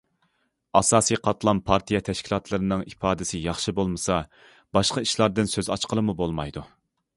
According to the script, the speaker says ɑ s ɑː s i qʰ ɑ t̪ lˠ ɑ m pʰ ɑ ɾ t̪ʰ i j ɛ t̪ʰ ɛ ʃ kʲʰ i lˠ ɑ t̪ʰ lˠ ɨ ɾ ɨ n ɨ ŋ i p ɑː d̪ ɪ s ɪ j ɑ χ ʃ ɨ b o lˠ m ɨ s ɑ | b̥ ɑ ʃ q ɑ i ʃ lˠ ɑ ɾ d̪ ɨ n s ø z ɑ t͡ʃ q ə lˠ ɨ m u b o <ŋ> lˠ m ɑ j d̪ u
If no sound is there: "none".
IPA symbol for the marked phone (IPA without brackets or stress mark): none